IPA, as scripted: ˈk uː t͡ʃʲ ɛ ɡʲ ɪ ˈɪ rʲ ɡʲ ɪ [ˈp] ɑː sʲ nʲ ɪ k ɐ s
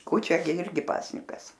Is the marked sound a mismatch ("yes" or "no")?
no